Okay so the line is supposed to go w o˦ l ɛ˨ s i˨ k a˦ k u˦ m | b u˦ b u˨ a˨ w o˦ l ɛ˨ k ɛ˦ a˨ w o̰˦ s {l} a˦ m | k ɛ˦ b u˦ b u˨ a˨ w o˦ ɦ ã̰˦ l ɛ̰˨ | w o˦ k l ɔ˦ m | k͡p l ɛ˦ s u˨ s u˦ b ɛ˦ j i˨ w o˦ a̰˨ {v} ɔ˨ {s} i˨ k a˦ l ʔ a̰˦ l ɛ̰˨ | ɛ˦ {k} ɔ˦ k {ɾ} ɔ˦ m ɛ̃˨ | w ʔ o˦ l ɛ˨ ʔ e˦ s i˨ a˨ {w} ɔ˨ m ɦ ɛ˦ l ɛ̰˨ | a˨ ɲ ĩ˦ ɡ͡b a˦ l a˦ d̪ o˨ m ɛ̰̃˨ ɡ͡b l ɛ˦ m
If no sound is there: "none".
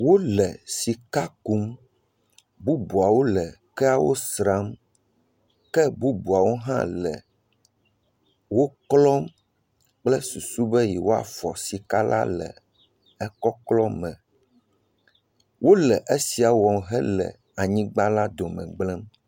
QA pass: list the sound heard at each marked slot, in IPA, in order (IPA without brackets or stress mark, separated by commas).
ɾ, f, s, k, l, w